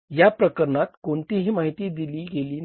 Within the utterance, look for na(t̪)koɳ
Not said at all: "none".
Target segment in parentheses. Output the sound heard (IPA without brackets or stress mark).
t̪